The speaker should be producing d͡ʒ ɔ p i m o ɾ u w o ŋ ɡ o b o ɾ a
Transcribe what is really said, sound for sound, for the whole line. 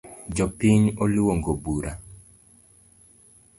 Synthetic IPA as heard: d͡ʒ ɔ p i ɲ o l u w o ŋ ɡ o b u ɾ a